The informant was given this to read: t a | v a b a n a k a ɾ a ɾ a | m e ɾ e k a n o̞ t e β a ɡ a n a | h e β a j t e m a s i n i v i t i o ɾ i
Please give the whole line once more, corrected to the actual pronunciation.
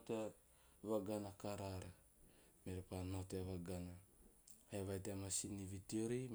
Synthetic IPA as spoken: t e | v a ɡ a n a k a ɾ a ɾ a | m e ɾ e p a n o̞ t e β a ɡ a n a | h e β a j t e m a s i n i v i t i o ɾ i

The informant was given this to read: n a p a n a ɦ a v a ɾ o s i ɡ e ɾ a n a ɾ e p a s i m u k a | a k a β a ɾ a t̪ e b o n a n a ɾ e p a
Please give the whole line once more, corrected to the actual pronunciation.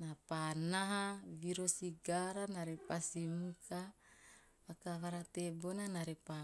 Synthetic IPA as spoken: n a p a n a ɦ a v i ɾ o s i ɡ a ɾ a n a ɾ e p a s i m u k a | a k a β a ɾ a t̪ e b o n a n a ɾ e p a

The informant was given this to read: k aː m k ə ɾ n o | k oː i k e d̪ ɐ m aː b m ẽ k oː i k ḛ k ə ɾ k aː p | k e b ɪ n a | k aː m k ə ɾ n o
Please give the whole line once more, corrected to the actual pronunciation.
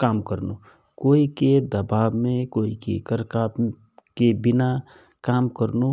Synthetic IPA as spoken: k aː m k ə ɾ n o | k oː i k e d̪ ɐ b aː b m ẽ k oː i k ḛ k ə ɾ k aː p | k e b ɪ n a | k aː m k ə ɾ n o

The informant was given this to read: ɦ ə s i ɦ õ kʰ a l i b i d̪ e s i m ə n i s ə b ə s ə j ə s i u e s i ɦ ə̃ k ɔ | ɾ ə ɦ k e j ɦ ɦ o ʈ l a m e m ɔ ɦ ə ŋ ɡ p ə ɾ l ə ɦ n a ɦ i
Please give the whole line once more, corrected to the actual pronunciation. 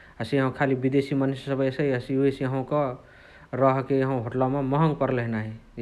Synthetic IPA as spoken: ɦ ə s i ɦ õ kʰ a l i b i d̪ e s i m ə n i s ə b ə s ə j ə s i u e s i ɦ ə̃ k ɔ | ɾ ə ɦ k e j ɦ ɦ o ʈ l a m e m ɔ ɦ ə ŋ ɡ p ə ɾ l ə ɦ n a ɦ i

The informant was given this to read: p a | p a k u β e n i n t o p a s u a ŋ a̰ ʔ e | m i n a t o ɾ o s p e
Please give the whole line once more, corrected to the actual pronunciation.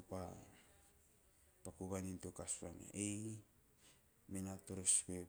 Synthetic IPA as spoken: p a | p a k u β a n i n t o k a s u a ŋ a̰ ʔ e | m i n a t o ɾ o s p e

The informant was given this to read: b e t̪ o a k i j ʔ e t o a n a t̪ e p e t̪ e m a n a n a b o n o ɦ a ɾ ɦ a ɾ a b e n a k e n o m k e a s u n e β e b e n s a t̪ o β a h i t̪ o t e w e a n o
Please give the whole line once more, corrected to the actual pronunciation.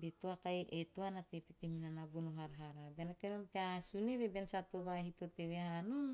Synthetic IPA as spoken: b e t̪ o a k a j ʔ e t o a n a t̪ e p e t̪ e m i n a n a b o n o ɦ a ɾ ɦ a ɾ a b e n a k e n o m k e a s u n e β e b e n s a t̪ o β a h i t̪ o t e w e a n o

